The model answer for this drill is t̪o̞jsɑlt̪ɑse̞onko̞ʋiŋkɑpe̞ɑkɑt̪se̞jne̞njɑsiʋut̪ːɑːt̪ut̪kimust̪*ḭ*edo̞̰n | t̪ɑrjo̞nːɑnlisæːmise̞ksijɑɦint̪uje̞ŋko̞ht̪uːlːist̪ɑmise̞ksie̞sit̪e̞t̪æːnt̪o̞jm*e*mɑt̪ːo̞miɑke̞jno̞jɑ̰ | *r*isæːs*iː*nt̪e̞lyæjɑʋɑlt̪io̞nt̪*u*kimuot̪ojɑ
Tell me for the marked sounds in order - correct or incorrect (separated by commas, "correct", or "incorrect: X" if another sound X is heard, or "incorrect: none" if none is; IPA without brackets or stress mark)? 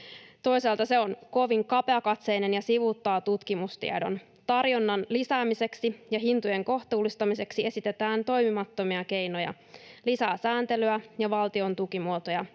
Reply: correct, incorrect: i, incorrect: l, incorrect: æː, correct